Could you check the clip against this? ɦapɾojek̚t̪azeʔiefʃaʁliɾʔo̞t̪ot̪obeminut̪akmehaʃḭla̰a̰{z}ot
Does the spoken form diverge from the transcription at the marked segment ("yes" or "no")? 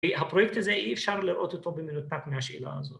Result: no